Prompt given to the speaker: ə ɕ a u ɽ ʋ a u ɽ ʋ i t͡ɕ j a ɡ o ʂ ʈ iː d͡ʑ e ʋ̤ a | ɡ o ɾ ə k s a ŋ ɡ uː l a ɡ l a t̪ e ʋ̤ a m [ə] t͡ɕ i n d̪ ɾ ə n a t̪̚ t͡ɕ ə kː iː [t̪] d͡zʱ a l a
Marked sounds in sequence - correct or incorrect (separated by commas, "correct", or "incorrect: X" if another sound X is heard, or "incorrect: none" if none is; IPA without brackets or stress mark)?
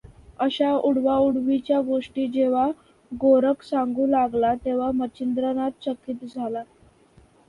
correct, correct